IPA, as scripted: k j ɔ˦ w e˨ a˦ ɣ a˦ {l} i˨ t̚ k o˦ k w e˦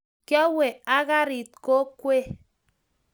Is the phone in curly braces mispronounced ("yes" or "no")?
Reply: yes